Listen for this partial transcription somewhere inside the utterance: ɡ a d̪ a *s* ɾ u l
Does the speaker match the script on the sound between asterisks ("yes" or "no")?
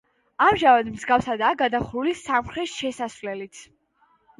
no